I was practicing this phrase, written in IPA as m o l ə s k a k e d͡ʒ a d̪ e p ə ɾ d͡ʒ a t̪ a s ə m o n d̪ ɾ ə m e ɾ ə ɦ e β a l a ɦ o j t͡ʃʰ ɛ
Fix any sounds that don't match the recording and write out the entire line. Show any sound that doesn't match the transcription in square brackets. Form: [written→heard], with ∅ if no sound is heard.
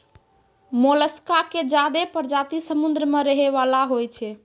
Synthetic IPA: m o l ə s k a k e d͡ʒ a d̪ e p ə ɾ d͡ʒ a t̪ [a→i] s ə m [o→u] n d̪ ɾ ə m e ɾ ə ɦ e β a l a ɦ o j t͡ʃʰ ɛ

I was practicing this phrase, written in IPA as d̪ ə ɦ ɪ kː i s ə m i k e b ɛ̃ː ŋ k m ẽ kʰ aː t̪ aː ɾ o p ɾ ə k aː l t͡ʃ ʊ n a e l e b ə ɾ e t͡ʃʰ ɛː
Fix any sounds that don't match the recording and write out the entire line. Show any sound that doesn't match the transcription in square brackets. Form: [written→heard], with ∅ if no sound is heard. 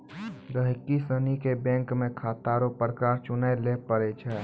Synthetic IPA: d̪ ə ɦ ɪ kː i s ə [m→n] i k e b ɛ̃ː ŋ k m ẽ kʰ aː t̪ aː ɾ o p ɾ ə k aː [l→ɾ] t͡ʃ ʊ n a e l e [b→p] ə ɾ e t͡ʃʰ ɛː

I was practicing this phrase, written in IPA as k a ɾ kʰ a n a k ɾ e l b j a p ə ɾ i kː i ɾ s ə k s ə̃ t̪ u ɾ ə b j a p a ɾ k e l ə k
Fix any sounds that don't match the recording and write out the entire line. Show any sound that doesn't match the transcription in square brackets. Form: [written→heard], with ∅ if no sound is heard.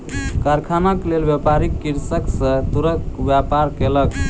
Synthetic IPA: k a ɾ kʰ a n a k [ɾ→l] e l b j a p [ə→a] ɾ i kː i ɾ s ə k s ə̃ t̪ u ɾ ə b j a p a ɾ k e l ə k

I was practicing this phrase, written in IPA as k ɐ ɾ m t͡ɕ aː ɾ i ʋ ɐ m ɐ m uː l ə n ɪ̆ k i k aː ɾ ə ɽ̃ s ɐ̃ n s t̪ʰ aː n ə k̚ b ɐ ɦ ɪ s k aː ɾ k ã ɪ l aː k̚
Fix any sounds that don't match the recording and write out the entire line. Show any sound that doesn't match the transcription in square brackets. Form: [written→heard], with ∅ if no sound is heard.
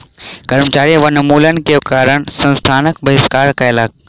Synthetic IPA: k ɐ ɾ m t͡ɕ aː ɾ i ʋ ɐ [m→n] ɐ m uː l ə n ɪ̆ k [i→e] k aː ɾ ə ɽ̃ s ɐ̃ n s t̪ʰ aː n ə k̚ b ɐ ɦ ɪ s k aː ɾ k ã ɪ l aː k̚

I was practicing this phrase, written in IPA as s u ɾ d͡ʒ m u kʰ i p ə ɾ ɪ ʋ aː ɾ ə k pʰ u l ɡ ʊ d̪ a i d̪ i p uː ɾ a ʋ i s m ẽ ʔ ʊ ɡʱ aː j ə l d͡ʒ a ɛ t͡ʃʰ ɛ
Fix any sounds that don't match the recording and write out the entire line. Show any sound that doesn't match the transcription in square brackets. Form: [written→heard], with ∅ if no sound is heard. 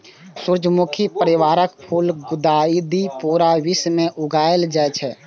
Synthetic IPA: s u ɾ d͡ʒ m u kʰ i p ə ɾ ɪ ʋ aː ɾ ə k pʰ u l ɡ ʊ d̪ a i d̪ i p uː ɾ a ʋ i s m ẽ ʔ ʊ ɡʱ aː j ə l d͡ʒ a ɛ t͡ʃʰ ɛ

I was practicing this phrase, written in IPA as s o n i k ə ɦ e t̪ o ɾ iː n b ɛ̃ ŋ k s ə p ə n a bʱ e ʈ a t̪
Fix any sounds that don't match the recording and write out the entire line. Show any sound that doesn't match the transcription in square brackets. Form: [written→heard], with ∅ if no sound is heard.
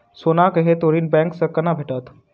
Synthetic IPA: s o n [i→a] k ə ɦ e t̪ o ɾ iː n b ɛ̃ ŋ k s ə [p→k] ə n a bʱ e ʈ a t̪

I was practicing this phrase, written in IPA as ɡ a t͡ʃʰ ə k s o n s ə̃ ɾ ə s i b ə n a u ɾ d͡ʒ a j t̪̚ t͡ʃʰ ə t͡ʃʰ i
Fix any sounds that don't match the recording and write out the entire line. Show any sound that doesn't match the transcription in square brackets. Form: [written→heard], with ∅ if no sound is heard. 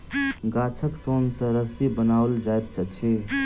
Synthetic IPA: ɡ a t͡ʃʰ ə k s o n s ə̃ ɾ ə s i b ə n a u [ɾ→l] d͡ʒ a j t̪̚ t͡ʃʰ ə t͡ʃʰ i

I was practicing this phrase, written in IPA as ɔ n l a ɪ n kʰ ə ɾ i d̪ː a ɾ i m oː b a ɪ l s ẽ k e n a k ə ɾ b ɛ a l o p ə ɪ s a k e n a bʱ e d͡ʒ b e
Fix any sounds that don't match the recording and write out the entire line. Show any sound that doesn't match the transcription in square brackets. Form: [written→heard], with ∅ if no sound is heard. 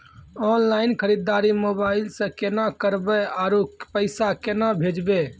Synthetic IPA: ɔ n l a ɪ n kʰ ə ɾ i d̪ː a ɾ i m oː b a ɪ l s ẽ k e n a k ə ɾ b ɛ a [l→ɾ] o p ə ɪ s a k e n a bʱ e d͡ʒ b e

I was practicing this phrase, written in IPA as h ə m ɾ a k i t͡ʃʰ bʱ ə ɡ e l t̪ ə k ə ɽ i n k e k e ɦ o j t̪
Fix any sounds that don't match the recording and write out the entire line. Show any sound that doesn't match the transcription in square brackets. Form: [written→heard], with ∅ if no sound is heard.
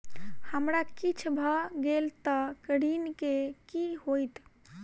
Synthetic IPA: h ə m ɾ a k i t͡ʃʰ bʱ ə ɡ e l t̪ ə k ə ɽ i n k e k [e→i] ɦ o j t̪

